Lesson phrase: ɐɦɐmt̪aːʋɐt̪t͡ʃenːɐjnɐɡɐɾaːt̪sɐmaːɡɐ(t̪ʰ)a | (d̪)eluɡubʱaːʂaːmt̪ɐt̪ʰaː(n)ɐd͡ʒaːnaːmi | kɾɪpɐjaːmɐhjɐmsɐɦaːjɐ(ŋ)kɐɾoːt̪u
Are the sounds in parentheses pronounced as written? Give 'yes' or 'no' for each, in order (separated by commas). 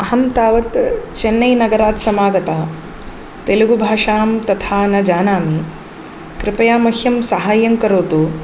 no, no, yes, yes